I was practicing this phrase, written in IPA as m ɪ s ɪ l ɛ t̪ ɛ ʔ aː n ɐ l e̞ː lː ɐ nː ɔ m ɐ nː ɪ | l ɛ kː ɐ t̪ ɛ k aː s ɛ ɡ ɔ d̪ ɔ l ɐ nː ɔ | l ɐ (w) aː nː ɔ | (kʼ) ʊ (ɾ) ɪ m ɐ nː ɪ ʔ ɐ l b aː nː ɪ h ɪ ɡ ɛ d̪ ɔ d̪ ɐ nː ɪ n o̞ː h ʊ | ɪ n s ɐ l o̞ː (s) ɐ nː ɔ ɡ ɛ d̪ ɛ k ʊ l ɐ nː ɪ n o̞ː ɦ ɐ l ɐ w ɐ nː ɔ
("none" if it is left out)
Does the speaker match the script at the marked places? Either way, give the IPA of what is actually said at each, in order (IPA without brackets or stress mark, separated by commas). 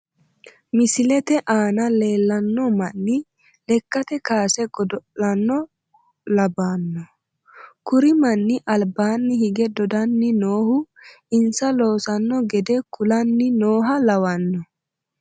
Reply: b, k, ɾ, s